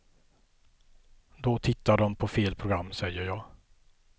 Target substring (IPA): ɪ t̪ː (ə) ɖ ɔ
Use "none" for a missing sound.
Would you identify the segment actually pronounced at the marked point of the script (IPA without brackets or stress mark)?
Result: a